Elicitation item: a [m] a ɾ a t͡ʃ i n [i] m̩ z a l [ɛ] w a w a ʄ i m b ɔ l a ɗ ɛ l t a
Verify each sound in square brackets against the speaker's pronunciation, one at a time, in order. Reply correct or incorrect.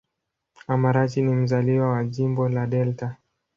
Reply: correct, correct, incorrect: i

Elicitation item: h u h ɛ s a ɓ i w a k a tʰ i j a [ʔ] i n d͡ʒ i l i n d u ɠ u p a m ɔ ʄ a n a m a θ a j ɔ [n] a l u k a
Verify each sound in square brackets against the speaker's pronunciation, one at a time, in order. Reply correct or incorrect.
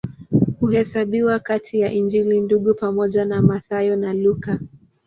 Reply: correct, correct

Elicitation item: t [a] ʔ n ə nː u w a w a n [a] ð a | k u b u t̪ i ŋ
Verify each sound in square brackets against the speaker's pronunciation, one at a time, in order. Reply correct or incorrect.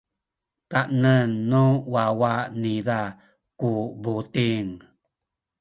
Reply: correct, incorrect: i

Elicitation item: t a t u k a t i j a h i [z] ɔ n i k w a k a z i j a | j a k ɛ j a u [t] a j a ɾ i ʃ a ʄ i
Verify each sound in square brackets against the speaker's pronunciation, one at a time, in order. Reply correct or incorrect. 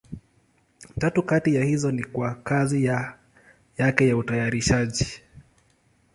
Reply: correct, correct

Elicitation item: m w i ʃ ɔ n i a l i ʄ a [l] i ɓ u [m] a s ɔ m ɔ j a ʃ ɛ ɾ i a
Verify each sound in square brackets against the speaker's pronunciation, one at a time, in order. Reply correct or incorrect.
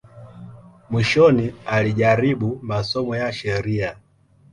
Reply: incorrect: ɾ, correct

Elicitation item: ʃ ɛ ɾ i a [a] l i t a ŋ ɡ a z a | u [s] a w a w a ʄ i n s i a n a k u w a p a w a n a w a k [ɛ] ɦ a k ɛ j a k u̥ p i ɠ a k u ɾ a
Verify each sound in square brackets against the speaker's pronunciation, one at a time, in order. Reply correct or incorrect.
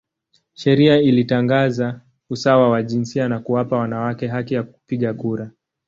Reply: incorrect: i, correct, correct

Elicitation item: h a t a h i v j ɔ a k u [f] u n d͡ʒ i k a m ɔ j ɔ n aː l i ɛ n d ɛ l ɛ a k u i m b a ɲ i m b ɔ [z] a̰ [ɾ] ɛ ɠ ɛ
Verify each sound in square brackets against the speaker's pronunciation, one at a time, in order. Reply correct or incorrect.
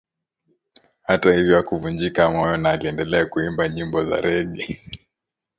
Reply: incorrect: v, correct, correct

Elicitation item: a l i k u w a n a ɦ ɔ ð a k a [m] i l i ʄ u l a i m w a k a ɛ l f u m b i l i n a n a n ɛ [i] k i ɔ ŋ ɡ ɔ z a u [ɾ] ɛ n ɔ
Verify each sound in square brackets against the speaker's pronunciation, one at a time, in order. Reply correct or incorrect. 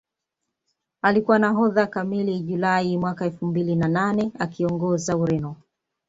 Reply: correct, incorrect: a, correct

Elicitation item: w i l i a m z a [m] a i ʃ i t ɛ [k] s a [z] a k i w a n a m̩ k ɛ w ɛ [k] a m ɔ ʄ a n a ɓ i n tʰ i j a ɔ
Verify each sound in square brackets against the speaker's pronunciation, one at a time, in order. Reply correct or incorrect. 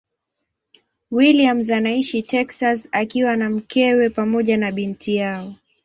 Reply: incorrect: n, correct, incorrect: s, incorrect: p

